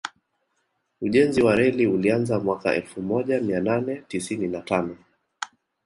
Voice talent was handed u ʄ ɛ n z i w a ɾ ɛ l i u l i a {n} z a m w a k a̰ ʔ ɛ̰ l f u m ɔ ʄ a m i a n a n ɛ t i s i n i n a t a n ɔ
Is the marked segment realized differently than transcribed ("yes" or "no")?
no